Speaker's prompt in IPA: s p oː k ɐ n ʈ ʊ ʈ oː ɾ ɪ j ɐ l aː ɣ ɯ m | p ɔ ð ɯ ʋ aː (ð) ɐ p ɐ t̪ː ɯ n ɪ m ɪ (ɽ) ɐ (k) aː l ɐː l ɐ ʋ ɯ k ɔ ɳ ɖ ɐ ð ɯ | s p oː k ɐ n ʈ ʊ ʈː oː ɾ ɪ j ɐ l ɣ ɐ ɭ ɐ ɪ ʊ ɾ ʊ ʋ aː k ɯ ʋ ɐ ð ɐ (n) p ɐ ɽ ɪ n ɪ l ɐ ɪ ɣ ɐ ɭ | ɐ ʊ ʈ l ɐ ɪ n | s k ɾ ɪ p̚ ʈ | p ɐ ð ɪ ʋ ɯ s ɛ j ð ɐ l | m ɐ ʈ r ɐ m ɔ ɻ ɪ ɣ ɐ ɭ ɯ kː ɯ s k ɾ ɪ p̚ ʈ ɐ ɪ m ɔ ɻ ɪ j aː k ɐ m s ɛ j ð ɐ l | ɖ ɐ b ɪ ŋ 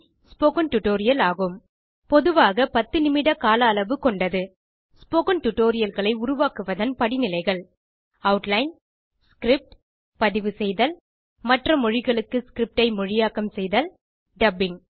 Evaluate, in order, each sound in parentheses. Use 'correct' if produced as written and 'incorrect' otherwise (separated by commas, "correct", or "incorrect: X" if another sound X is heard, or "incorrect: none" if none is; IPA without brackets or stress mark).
incorrect: ɣ, correct, correct, correct